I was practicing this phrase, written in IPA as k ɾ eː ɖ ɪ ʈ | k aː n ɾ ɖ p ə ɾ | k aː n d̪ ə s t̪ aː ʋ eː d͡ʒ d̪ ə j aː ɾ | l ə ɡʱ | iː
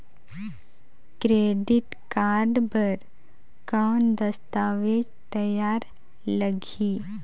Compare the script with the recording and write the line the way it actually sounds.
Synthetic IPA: k ɾ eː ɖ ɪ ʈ | k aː ɾ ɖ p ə ɾ | k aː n d̪ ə s t̪ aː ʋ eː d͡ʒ t̪ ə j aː ɾ | l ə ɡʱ | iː